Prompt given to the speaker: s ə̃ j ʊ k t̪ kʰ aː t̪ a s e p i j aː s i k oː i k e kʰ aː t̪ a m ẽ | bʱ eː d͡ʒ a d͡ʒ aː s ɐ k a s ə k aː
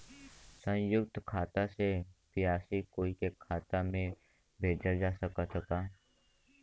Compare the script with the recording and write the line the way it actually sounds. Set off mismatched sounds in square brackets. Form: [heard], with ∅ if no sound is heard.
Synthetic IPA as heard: s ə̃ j ʊ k t̪ kʰ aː t̪ a s e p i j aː s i k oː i k e kʰ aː t̪ a m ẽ | bʱ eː d͡ʒ a d͡ʒ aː s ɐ k a s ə k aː